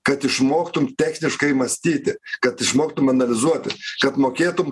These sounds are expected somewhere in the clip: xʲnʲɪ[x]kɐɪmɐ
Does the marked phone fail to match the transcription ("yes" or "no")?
yes